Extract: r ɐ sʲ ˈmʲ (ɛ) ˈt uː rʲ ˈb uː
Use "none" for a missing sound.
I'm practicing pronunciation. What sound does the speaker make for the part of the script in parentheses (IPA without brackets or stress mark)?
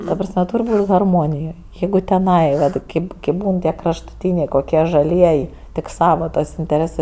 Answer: ɛ